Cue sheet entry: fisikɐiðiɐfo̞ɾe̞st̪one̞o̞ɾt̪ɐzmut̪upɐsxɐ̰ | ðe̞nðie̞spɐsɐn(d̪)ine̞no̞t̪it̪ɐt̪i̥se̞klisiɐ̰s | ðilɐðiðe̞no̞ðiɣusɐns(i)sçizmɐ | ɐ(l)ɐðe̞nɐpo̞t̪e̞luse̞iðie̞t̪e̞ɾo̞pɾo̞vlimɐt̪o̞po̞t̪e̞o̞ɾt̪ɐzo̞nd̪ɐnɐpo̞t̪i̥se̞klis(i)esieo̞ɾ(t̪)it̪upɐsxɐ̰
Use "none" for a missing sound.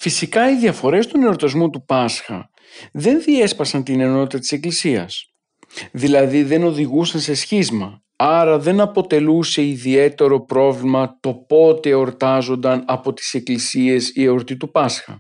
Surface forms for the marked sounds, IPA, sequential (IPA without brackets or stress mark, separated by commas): t̪, e, ɾ, i, t̪